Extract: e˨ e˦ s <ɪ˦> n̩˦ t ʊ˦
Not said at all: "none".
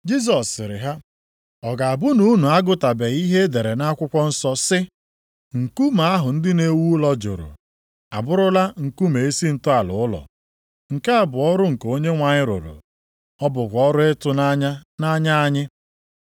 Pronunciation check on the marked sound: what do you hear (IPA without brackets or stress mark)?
i˦